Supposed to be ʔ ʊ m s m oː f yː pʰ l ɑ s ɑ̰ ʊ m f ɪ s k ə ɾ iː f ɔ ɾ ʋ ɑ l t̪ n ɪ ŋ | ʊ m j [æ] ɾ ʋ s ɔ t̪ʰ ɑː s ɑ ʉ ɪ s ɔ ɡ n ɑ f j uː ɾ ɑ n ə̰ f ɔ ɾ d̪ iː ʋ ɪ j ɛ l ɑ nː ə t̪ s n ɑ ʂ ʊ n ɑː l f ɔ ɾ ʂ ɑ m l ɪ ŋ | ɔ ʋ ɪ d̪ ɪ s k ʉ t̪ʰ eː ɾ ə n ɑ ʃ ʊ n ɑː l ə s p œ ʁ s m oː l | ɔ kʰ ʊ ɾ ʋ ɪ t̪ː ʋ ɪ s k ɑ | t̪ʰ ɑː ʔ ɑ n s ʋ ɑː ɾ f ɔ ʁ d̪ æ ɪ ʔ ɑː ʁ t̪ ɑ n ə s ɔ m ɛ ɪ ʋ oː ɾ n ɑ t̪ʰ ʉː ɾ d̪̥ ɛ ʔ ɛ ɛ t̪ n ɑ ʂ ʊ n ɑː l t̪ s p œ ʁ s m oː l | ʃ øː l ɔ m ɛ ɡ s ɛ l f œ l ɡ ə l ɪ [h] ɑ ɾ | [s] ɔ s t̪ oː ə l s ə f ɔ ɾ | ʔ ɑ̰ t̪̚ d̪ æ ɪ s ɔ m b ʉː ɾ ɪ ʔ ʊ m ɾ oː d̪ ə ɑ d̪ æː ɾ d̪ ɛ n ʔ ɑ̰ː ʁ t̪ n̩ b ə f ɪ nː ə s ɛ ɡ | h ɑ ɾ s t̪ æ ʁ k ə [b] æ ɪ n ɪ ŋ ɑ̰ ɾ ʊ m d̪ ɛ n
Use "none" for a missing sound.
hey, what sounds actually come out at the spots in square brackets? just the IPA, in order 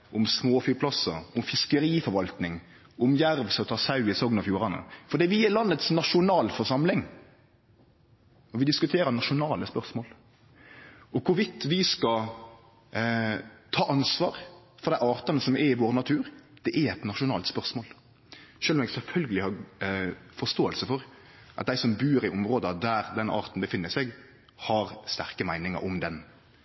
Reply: æ, h, f, m

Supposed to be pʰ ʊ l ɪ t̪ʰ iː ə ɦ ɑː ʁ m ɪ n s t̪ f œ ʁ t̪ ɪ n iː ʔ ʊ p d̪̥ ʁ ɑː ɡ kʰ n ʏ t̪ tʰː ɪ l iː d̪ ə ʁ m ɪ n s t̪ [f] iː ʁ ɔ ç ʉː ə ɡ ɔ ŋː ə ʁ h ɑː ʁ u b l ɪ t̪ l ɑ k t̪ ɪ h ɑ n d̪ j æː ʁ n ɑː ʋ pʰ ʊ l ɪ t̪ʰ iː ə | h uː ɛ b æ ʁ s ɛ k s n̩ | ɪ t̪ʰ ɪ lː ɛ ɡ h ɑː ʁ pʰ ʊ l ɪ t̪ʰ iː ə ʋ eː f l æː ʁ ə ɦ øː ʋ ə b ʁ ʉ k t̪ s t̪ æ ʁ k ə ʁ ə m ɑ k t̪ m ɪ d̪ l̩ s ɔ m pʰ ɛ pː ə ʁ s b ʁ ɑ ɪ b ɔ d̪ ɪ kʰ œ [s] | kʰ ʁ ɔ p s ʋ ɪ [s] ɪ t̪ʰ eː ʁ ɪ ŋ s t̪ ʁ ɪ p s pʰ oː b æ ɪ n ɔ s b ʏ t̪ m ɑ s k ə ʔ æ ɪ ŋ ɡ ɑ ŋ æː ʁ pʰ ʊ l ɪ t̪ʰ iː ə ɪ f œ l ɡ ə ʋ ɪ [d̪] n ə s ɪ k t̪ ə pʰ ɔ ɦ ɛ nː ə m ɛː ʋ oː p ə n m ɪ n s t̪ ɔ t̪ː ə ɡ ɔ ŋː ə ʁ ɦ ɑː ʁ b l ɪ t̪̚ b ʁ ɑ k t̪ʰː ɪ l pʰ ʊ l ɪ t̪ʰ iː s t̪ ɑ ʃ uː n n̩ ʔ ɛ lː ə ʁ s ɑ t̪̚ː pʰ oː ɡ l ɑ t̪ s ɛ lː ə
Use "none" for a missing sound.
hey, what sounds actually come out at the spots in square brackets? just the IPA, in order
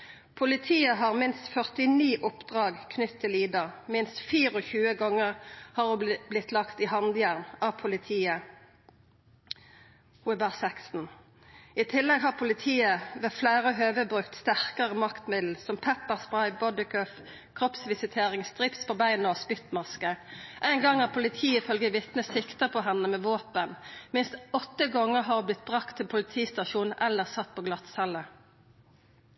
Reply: f, f, s, t̪

